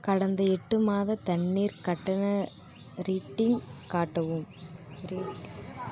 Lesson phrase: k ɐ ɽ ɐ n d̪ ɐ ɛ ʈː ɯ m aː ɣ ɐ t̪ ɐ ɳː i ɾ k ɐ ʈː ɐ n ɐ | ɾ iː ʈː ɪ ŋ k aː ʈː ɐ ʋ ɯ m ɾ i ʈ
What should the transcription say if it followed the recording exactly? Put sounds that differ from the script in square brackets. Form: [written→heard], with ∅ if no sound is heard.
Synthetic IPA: k ɐ ɽ ɐ n d̪ ɐ ɛ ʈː ɯ m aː [ɣ→ð] ɐ t̪ ɐ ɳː [i→iː] ɾ k ɐ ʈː ɐ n ɐ | ɾ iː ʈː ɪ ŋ k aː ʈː ɐ ʋ ɯ m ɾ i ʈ